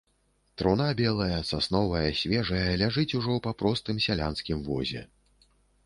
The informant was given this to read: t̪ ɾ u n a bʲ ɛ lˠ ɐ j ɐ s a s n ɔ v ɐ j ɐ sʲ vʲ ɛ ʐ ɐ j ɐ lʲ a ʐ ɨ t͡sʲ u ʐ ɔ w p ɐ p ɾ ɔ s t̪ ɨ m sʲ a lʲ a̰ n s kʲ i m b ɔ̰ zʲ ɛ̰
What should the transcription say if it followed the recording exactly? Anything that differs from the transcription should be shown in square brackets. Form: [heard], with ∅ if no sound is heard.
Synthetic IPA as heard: t̪ ɾ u n a bʲ ɛ lˠ ɐ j ɐ s a s n ɔ v ɐ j ɐ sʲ vʲ ɛ ʐ ɐ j ɐ lʲ a ʐ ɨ t͡sʲ u ʐ ɔ w p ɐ p ɾ ɔ s t̪ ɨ m sʲ a lʲ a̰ n s kʲ i m [v] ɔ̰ zʲ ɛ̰